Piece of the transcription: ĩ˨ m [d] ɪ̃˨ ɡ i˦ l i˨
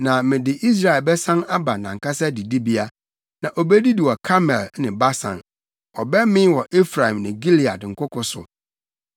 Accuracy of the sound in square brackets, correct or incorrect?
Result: incorrect: n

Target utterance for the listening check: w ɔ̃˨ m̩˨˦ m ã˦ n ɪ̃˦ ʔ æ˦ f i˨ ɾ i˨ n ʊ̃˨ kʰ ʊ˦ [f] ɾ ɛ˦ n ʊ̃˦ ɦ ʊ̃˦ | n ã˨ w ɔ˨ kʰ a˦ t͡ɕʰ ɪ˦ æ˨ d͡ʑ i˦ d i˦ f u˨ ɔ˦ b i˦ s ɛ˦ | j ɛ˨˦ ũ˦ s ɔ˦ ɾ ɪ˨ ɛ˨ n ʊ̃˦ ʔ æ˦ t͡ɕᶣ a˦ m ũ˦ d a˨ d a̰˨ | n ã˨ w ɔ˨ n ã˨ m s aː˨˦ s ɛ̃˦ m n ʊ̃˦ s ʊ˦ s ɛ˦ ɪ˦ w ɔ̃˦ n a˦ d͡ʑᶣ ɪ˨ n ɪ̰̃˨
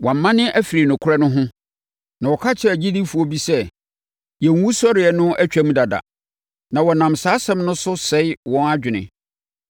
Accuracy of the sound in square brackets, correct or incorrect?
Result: incorrect: none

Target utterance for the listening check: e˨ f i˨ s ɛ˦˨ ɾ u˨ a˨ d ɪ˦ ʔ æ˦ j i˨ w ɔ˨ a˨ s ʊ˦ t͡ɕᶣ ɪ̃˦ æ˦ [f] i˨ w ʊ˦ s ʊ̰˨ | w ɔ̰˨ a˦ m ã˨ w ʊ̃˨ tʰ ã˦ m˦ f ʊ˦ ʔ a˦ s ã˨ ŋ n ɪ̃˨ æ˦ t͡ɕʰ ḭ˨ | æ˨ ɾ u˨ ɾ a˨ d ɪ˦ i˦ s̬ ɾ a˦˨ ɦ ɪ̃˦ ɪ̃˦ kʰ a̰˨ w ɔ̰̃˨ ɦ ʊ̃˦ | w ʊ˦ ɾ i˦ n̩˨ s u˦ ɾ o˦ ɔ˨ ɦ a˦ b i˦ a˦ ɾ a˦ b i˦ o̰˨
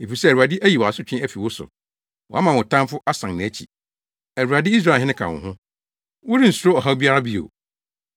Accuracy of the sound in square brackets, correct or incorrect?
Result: correct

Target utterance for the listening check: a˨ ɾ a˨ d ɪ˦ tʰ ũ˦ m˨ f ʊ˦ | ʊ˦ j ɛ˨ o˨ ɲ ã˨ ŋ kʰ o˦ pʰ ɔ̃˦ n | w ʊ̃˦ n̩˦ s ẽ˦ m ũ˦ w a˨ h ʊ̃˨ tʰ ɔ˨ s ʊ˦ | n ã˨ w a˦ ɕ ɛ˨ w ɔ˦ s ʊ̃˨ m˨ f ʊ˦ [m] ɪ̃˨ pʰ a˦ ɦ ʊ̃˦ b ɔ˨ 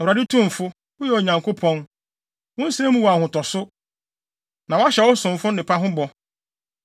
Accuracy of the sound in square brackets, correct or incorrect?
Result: incorrect: n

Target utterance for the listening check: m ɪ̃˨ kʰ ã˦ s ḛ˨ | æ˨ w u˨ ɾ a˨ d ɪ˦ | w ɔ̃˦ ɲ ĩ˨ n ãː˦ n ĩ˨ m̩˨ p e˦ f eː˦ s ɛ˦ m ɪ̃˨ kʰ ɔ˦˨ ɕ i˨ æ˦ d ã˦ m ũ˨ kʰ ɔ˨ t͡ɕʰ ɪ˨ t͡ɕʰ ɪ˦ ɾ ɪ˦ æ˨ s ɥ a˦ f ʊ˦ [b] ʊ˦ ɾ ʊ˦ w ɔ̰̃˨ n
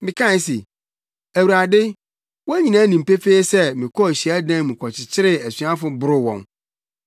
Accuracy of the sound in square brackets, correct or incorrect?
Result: correct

